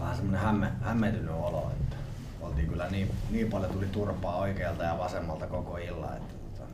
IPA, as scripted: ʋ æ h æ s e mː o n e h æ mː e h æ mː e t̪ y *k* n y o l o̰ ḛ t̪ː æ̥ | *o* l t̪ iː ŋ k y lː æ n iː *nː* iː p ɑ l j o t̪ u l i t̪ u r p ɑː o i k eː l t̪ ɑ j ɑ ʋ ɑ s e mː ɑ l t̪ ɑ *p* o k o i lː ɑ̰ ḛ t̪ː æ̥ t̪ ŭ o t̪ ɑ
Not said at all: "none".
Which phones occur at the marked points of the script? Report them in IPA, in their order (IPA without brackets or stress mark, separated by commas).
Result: none, o, n, k